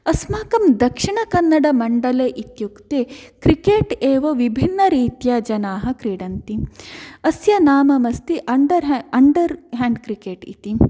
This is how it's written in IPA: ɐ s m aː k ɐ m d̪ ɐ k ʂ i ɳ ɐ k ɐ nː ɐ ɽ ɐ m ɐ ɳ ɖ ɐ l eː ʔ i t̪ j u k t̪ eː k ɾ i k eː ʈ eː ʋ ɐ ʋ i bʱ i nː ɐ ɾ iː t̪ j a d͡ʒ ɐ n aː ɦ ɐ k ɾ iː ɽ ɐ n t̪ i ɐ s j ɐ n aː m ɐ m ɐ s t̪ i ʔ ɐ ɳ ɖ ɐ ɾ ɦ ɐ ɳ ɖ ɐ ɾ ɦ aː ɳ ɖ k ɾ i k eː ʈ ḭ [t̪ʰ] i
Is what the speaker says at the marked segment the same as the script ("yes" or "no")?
no